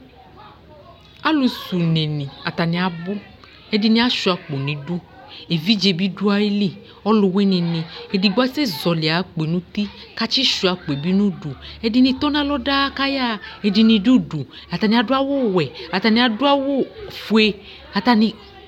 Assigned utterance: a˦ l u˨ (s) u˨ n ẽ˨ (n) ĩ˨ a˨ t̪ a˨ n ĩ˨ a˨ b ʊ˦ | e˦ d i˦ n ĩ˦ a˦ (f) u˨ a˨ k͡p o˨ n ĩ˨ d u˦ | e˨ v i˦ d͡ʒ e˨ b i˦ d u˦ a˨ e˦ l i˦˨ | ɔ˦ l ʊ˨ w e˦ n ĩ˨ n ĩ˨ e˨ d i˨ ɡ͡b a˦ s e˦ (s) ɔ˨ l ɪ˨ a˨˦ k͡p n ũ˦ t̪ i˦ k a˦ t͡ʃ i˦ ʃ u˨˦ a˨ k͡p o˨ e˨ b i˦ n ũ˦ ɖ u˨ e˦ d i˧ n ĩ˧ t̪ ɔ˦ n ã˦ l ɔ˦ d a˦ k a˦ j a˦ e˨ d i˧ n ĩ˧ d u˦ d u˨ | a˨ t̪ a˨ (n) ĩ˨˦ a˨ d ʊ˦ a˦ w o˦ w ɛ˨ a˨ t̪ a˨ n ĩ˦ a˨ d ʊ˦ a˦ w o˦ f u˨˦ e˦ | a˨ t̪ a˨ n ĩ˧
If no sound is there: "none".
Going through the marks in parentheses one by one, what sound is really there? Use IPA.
s, n, ʃ, z, n

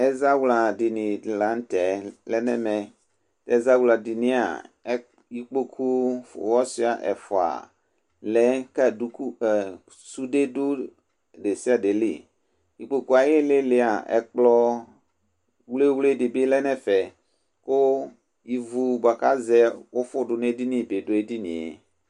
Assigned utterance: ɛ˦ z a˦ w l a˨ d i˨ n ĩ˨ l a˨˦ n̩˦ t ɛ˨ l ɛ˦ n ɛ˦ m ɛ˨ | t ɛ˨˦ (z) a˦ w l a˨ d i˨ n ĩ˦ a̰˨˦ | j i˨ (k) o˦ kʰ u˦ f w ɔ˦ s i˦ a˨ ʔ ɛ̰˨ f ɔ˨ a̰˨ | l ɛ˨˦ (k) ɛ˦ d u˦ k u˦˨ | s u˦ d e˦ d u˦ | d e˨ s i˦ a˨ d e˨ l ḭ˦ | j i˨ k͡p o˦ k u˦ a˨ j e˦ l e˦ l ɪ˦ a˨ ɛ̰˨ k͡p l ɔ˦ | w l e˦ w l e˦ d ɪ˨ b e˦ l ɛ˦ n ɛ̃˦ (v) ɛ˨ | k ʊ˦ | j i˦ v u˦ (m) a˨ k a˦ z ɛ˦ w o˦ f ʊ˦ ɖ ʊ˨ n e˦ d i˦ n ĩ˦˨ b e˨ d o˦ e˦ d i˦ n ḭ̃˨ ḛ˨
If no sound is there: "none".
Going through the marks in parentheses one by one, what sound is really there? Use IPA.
z, k͡p, k, f, b

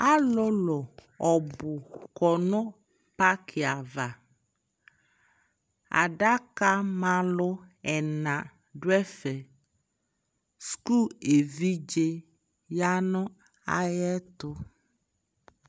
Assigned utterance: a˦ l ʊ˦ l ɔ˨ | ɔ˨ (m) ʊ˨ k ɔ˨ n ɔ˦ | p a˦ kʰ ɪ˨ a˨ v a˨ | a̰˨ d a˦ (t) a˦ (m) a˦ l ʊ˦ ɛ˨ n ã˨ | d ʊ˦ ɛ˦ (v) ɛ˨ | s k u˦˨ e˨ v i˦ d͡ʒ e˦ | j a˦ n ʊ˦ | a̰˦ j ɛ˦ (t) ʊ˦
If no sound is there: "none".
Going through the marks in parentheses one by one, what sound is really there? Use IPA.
b, k, m, f, t

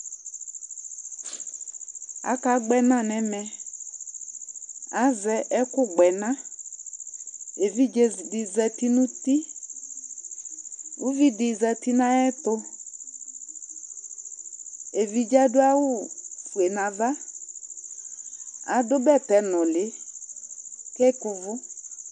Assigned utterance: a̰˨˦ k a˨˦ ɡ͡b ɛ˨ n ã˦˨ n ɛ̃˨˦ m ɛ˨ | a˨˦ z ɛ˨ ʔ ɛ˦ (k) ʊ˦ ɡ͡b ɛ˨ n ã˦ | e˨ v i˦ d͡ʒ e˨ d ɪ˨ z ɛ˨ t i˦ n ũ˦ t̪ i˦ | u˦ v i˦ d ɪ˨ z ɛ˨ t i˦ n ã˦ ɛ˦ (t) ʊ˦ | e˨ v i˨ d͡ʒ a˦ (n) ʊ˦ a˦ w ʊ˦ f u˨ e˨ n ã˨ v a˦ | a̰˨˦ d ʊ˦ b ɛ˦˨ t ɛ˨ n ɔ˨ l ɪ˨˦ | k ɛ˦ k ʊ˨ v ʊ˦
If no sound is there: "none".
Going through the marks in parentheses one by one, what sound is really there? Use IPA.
k, t, d

